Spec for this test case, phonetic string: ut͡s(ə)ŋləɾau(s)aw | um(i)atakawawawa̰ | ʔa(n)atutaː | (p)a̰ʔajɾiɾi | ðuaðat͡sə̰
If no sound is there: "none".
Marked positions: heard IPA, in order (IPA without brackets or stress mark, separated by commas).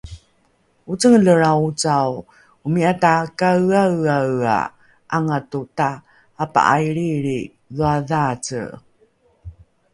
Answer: ə, t͡s, i, ŋ, p